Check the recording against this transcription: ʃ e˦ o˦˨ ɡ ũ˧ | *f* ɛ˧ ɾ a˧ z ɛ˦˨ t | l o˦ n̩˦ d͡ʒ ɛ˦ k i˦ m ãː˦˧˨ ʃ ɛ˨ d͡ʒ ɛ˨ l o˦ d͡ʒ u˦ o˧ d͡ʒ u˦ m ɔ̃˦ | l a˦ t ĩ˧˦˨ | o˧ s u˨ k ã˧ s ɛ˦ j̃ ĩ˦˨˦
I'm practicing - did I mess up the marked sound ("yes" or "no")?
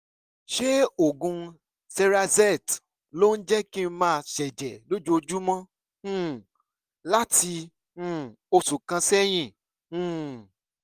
yes